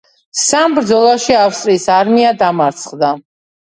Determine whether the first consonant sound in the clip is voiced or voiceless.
voiceless